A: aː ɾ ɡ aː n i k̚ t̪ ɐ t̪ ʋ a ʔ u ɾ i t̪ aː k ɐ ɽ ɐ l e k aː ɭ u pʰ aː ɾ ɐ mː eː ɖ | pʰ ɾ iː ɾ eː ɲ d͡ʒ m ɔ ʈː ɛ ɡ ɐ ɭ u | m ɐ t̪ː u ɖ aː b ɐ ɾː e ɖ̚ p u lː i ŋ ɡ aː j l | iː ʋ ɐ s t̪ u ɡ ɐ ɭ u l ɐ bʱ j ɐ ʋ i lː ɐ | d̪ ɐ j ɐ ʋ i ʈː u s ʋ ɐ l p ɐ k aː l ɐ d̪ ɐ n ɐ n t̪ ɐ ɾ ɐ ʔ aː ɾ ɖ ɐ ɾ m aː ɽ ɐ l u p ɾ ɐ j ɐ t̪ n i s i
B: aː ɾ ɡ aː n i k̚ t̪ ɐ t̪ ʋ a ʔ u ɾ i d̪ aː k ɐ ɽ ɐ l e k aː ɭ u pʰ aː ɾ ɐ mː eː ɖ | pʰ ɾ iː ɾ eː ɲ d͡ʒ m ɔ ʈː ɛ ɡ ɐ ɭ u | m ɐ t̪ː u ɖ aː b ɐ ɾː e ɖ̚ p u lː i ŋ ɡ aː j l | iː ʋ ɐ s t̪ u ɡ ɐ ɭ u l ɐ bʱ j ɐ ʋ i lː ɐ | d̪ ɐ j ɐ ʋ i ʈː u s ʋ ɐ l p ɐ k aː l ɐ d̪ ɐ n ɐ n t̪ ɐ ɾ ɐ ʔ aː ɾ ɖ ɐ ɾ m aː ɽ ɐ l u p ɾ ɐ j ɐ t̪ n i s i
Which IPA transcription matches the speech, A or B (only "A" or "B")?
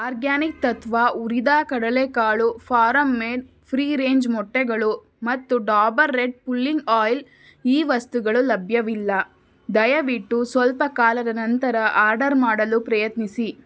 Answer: B